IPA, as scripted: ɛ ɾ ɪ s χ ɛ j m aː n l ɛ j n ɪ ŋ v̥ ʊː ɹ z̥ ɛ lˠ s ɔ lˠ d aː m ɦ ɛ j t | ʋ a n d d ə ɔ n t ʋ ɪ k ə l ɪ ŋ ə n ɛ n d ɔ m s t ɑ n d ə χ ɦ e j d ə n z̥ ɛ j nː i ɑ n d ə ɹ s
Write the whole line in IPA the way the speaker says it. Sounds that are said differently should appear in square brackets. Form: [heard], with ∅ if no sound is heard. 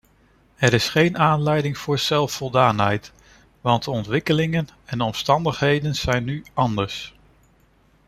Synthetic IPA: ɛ ɾ ɪ s χ [e] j [n] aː n l ɛ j [d] ɪ ŋ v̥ ʊː ɹ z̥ ɛ lˠ [f] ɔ lˠ d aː [n] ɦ ɛ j t | ʋ [ɑ] n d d ə ɔ n t ʋ ɪ k ə l ɪ ŋ ə n ɛ n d ɔ m s t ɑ n d ə χ ɦ e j d ə n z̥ ɛ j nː [y] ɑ n d ə ɹ s